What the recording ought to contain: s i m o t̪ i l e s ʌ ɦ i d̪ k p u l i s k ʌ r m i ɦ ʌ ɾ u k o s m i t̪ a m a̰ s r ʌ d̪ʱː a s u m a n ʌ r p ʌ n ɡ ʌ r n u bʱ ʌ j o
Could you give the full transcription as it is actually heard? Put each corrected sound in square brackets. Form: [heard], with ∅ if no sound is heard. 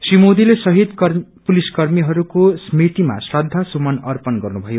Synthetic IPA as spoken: s i m o [d̪] i l e s ʌ ɦ i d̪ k p u l i s k ʌ r m i ɦ ʌ ɾ u k o s m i t̪ [i] m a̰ s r ʌ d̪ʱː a s u m [ʌ] n ʌ r p ʌ n ɡ ʌ r n u bʱ ʌ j o